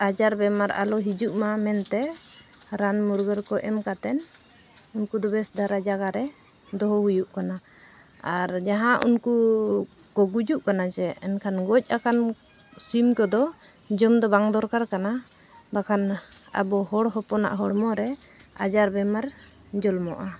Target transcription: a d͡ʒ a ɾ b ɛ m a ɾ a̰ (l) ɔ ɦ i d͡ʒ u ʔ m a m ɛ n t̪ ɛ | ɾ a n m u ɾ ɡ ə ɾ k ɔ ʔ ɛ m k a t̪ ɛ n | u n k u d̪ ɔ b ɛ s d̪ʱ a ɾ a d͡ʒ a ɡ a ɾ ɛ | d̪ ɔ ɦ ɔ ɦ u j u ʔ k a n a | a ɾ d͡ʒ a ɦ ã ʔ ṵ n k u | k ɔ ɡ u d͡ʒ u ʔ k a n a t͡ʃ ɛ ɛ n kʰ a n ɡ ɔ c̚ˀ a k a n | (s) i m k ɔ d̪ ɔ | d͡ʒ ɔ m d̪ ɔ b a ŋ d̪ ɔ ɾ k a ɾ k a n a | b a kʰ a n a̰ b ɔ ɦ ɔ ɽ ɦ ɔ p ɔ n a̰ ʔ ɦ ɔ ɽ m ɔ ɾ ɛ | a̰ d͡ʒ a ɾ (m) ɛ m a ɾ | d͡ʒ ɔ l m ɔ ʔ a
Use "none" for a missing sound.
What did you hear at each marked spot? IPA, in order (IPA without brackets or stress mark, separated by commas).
l, s, b